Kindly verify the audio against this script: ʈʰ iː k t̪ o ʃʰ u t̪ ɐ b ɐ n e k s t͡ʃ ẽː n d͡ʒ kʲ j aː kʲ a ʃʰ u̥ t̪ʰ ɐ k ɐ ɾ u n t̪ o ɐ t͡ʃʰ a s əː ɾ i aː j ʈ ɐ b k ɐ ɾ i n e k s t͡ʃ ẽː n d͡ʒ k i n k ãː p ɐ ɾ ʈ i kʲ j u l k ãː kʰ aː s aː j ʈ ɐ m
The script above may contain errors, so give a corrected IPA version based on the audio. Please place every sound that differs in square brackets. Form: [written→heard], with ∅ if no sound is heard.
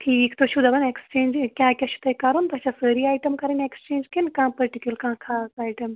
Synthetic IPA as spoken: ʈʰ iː k t̪ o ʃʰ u [t̪→d̪] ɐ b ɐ n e k s t͡ʃ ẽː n d͡ʒ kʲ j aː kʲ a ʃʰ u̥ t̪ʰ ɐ k ɐ ɾ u n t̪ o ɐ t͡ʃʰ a s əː ɾ i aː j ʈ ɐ [b→m] k ɐ ɾ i n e k s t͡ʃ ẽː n d͡ʒ k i n k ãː p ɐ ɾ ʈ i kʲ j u l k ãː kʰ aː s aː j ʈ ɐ m